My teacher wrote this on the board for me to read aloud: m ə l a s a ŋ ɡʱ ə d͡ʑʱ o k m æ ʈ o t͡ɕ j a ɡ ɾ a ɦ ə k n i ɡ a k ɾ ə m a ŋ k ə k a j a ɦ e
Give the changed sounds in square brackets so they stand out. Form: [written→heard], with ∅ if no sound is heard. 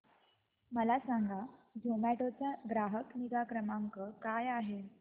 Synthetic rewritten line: m ə l a s a ŋ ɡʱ [ə→a] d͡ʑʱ o [k→∅] m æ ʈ o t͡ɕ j a ɡ ɾ a ɦ ə k n i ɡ a k ɾ ə m a ŋ k ə k a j a ɦ e